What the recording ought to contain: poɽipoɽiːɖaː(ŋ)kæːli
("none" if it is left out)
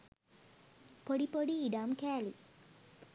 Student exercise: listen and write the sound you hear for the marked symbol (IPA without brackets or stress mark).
m